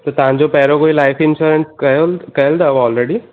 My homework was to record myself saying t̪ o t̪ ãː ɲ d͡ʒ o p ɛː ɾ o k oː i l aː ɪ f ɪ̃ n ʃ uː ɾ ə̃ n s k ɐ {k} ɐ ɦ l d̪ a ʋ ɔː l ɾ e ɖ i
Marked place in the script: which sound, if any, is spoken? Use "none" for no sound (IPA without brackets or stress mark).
k